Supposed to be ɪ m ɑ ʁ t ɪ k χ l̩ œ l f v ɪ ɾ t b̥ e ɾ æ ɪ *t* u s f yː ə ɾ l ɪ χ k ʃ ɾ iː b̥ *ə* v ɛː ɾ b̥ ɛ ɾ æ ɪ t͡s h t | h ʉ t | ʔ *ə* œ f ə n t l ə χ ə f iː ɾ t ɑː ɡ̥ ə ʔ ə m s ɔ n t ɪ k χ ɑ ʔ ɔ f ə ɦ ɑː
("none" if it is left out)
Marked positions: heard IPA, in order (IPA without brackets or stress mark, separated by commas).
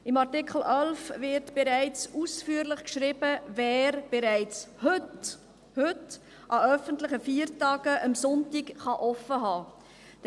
t͡s, ə, ɑ